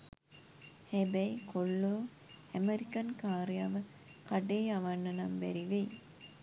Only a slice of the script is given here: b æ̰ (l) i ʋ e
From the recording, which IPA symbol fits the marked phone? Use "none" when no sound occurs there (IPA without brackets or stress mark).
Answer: ɾ